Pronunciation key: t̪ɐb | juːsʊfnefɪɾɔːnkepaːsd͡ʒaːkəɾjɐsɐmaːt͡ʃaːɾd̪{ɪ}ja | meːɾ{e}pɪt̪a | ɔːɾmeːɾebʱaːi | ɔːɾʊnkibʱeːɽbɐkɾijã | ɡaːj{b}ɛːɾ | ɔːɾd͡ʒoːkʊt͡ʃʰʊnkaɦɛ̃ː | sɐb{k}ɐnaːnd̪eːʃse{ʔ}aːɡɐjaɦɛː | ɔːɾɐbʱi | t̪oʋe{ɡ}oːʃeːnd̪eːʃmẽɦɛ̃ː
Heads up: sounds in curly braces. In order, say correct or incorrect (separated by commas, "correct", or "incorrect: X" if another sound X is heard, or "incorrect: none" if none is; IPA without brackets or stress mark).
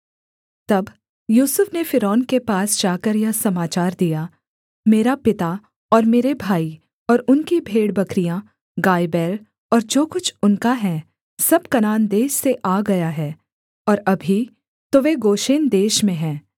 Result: incorrect: i, incorrect: a, correct, correct, correct, correct